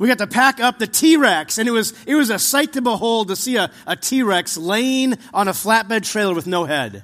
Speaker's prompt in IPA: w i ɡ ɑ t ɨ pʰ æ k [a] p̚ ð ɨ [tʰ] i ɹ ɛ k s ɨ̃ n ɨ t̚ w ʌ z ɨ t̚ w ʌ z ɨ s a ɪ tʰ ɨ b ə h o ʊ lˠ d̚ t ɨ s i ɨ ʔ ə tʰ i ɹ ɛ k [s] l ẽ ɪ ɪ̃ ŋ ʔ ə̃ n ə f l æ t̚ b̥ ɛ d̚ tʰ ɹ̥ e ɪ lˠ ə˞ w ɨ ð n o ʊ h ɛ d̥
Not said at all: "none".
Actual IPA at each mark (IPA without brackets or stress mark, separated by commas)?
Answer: ʌ, tʰ, s